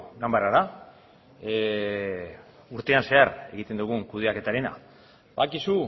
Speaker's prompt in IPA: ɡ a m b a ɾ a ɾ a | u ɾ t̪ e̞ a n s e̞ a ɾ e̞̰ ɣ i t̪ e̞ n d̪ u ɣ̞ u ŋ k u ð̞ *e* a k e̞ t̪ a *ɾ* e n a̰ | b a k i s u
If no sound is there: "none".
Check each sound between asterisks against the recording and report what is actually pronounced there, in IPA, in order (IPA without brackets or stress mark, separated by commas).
e, ɾ